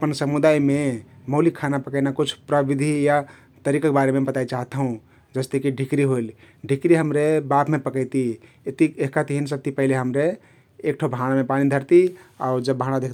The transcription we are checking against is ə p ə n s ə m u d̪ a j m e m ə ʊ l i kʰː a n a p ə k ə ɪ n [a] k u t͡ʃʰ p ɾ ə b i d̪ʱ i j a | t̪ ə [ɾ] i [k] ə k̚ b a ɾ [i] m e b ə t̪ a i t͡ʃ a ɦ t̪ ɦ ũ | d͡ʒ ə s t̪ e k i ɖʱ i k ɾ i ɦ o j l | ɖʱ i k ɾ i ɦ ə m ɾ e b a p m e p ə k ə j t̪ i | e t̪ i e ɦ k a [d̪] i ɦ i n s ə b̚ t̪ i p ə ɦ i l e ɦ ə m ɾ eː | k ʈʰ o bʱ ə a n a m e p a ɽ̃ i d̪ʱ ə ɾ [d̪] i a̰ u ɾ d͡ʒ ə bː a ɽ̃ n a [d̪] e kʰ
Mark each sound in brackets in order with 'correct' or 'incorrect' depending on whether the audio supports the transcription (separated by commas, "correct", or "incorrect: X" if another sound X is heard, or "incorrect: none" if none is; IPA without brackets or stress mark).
correct, correct, correct, incorrect: e, incorrect: t̪, incorrect: t̪, correct